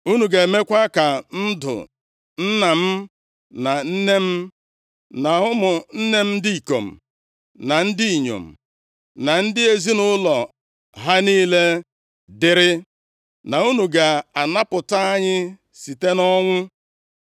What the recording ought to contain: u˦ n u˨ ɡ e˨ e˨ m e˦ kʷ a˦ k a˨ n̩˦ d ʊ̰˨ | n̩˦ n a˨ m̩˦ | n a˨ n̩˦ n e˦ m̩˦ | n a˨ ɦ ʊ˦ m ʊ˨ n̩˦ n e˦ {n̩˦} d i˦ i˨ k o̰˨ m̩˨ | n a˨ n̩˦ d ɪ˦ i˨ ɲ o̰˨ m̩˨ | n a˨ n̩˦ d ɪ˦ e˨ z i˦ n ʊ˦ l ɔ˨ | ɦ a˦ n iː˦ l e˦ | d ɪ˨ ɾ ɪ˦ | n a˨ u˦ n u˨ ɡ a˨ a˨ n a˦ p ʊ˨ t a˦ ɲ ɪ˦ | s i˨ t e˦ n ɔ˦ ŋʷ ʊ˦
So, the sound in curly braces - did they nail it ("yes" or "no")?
no